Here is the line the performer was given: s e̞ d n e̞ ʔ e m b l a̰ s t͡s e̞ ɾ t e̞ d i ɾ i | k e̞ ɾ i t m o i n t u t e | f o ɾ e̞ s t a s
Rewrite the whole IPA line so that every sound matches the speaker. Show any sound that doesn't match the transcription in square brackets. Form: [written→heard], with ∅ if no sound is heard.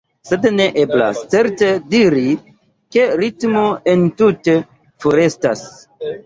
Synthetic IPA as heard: s e̞ d n e̞ ʔ e [m→∅] b l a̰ s t͡s e̞ ɾ t e̞ d i ɾ i | k e̞ ɾ i t m o [i→e] n t u t e | f o ɾ e̞ s t a s